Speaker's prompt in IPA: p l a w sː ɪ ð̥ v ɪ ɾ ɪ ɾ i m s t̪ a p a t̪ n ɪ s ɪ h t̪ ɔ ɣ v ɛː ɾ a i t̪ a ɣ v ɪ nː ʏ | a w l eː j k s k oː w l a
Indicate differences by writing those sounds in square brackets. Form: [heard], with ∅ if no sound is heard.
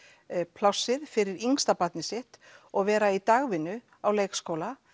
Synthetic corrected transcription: [pʰ] l a w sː ɪ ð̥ [f] ɪ ɾ ɪ ɾ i [ŋ] s t̪ a p a t̪ n ɪ s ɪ h t̪ ɔ ɣ v ɛː ɾ a i t̪ a ɣ v ɪ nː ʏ | a w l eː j k s k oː w l a